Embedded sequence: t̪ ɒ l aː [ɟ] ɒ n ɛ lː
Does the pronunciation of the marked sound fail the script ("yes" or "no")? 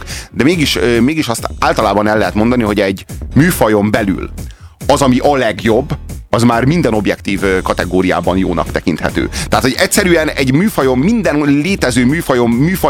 yes